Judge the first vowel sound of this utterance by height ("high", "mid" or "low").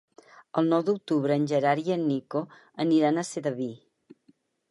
mid